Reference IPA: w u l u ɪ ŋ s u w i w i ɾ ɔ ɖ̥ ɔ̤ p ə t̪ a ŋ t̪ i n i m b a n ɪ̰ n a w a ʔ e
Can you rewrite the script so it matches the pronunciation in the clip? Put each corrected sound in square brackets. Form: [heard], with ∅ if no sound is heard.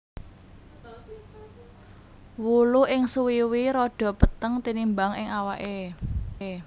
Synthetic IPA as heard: w u l u ɪ ŋ s u w i w i ɾ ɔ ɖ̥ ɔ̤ p ə t̪ [ə] ŋ t̪ i n i m b a [ŋ] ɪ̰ [ŋ] a w a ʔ e